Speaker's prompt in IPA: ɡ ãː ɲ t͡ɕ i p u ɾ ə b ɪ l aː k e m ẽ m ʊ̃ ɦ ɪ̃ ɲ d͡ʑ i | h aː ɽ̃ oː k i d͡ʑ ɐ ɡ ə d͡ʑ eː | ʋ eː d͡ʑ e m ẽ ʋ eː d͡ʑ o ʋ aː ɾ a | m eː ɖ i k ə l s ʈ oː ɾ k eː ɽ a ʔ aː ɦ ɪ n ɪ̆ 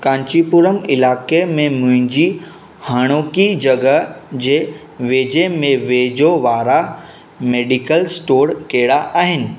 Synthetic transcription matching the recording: k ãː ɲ t͡ɕ i p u ɾ ə m ɪ l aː k e m ẽ m ʊ̃ ɦ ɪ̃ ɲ d͡ʑ i | h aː ɽ̃ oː k i d͡ʑ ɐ ɡ ə d͡ʑ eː | ʋ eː d͡ʑ e m ẽ ʋ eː d͡ʑ o ʋ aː ɾ a | m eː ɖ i k ə l s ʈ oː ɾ k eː ɽ a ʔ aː ɦ ɪ n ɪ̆